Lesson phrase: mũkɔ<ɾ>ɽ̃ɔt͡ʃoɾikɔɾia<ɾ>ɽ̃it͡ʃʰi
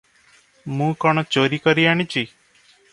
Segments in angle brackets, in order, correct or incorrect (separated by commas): incorrect, incorrect